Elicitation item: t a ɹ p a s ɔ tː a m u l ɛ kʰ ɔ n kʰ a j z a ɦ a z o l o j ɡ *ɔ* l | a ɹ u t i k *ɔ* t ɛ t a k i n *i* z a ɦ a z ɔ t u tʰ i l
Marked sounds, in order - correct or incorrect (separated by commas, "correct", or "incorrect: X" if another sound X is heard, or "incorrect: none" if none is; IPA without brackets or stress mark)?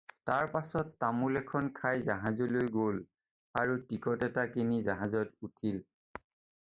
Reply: incorrect: o, correct, correct